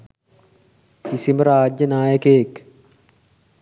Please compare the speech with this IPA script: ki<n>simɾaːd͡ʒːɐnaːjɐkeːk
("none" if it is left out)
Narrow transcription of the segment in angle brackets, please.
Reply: none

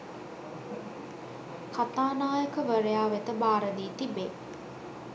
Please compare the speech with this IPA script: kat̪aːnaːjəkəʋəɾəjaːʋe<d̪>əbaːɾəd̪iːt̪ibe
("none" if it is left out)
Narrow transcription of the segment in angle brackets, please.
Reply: t̪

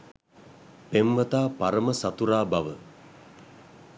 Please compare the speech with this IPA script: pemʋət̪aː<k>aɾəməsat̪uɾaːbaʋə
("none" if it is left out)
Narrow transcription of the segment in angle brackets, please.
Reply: p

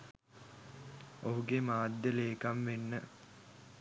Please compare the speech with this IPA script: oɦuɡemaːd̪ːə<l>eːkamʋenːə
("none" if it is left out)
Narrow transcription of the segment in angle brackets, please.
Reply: l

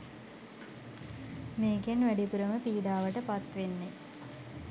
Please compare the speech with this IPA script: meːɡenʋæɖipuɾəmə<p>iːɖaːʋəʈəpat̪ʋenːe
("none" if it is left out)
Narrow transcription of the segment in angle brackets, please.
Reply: p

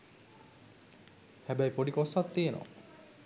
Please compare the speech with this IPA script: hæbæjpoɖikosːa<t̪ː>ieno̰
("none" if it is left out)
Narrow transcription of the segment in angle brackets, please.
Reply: t̪ː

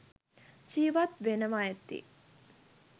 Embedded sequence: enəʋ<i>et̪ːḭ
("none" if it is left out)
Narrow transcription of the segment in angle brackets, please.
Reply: a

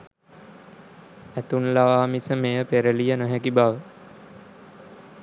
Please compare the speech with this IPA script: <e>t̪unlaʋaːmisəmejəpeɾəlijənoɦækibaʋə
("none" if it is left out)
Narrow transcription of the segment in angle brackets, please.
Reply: æ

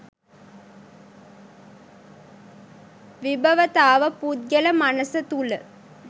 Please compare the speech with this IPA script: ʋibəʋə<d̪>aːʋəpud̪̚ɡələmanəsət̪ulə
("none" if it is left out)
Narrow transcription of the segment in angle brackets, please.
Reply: t̪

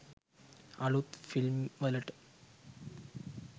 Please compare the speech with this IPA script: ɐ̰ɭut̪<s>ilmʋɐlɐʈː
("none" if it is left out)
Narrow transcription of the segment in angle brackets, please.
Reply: f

